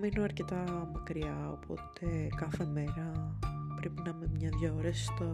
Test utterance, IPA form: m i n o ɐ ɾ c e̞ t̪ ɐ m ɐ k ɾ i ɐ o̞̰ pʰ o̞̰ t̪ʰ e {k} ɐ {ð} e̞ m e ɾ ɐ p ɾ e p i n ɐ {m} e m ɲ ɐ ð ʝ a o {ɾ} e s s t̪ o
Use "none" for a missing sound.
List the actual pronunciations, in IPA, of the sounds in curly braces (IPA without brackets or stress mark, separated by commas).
k, θ, m, ɾ